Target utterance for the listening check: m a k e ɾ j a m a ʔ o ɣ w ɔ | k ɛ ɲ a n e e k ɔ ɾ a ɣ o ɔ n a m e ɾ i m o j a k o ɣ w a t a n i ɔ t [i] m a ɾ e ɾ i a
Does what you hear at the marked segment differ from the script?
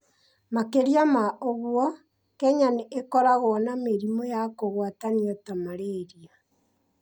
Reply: yes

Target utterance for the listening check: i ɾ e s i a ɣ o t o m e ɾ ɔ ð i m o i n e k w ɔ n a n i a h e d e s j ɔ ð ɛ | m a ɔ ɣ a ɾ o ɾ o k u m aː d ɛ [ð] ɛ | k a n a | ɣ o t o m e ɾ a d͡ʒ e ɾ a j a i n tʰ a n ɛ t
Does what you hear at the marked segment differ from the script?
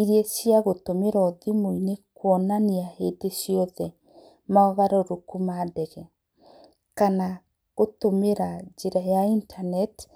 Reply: yes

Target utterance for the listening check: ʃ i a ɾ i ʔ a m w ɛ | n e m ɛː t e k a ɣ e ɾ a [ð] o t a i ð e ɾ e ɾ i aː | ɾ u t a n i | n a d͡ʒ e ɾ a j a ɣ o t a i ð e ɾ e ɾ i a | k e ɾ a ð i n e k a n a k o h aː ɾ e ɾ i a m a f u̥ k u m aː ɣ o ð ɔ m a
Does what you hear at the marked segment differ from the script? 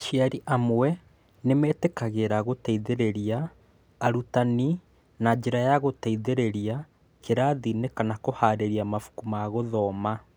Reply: yes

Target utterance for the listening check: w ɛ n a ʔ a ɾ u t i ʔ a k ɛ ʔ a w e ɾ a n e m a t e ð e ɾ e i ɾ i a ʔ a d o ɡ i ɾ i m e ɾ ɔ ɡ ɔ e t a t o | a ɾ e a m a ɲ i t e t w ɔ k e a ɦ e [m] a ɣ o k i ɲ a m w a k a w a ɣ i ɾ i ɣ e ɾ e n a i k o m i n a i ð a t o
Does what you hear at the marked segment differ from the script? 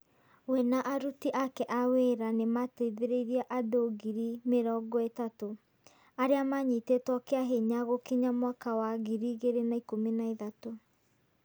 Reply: yes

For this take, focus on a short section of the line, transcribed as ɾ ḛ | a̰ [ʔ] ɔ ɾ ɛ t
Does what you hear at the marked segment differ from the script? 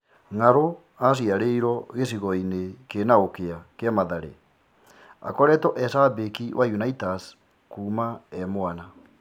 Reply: yes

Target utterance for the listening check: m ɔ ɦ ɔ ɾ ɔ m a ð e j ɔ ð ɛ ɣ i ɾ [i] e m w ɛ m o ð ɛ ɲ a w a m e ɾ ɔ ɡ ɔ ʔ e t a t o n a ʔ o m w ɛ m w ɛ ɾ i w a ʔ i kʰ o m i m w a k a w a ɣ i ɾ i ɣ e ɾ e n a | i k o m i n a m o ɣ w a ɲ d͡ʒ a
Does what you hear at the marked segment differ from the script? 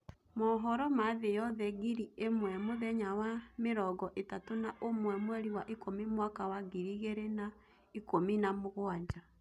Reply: no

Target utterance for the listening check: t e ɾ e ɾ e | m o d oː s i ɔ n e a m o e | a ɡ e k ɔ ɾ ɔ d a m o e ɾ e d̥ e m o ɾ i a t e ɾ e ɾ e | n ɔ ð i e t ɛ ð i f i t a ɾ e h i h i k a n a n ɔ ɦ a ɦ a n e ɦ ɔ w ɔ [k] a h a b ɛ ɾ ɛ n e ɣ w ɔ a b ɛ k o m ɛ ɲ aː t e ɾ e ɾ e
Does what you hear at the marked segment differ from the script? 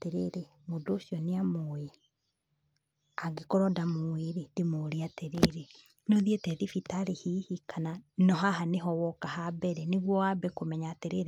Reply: no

